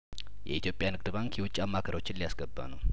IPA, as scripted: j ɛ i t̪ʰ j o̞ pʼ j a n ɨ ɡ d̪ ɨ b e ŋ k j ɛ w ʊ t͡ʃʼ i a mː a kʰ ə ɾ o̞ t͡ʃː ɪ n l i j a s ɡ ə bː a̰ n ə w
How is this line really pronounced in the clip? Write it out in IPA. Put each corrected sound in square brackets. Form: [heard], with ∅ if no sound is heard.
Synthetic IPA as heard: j ɛ i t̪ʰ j o̞ pʼ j a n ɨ ɡ d̪ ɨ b [a] ŋ k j ɛ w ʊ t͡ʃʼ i a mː a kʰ ə ɾ o̞ t͡ʃː ɪ n l i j a s ɡ ə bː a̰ n ə w